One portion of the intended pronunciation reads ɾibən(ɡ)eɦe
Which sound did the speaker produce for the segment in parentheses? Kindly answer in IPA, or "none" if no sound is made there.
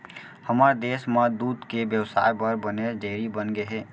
ɡ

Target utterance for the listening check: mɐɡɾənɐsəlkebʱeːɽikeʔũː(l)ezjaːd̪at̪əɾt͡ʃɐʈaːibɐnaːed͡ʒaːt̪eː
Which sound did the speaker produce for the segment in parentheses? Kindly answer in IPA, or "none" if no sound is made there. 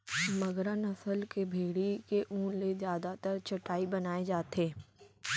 l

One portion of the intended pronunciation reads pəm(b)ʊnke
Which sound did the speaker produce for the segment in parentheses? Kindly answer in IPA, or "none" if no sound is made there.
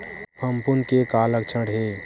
p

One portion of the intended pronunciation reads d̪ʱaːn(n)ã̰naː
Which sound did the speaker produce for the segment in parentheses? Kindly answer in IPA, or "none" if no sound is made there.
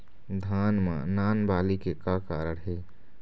m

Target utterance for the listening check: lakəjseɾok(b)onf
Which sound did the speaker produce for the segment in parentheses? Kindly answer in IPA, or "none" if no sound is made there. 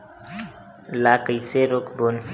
b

